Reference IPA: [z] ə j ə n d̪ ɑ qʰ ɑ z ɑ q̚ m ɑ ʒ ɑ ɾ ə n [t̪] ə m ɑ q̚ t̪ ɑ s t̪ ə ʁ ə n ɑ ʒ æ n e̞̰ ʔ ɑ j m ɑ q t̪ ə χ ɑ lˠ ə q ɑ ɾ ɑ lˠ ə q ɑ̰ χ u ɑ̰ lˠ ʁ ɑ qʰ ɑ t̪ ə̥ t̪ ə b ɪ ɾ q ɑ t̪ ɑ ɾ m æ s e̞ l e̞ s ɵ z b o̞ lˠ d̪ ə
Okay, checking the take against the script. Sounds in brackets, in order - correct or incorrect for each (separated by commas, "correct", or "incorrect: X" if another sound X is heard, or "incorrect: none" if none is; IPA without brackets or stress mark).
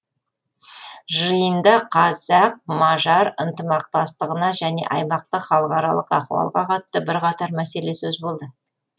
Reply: incorrect: ʒ, correct